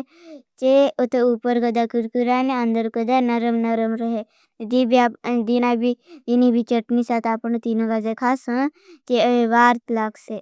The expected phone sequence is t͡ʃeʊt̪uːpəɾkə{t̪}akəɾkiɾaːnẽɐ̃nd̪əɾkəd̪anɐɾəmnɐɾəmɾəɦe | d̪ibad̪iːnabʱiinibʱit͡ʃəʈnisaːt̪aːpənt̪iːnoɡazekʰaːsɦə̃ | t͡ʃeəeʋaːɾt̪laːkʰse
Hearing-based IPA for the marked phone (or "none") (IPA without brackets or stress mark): d̪